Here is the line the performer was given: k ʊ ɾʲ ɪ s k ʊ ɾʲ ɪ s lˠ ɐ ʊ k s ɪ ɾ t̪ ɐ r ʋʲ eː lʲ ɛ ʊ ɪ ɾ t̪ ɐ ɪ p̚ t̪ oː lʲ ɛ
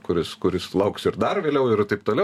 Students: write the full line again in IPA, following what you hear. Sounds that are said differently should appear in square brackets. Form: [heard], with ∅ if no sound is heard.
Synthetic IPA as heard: k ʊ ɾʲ ɪ s k ʊ ɾʲ ɪ s lˠ ɐ ʊ k s ɪ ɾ [d̪] ɐ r ʋʲ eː lʲ ɛ ʊ ɪ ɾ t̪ ɐ ɪ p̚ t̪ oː lʲ ɛ